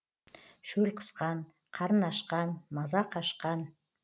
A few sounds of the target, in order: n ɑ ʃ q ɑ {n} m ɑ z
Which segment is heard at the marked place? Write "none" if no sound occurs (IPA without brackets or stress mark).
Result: n